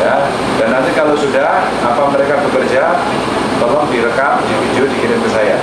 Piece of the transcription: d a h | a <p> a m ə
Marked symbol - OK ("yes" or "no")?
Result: yes